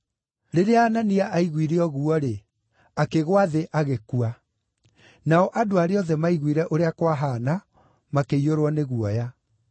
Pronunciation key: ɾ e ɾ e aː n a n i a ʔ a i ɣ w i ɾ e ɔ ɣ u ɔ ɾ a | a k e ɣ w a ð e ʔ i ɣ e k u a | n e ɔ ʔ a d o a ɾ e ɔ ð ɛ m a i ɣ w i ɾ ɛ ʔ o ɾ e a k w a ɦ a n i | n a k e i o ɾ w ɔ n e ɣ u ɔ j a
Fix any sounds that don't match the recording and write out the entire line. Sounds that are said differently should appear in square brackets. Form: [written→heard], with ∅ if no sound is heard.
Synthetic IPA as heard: ɾ e ɾ e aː n a n i a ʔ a i ɣ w i ɾ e ɔ ɣ u ɔ ɾ [a→e] | a k e ɣ w a ð e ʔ [i→a] ɣ e k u a | n [e→a] ɔ ʔ a d o a ɾ e ɔ ð ɛ m a i ɣ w i ɾ ɛ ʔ o ɾ e a k w a ɦ a n [i→a] | [n→m] a k e i o ɾ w ɔ n e ɣ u ɔ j a